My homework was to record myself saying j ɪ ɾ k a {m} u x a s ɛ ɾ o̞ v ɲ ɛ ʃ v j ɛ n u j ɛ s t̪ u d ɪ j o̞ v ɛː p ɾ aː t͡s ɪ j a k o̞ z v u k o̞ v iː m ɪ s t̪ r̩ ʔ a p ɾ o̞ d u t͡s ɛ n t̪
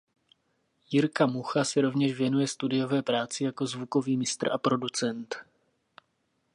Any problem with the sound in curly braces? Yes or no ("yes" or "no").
no